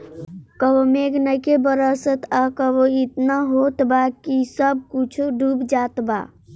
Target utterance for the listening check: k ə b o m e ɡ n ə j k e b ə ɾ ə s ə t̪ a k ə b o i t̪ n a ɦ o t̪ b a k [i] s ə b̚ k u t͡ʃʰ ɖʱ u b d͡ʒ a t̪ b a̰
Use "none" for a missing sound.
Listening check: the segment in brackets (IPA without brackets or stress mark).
i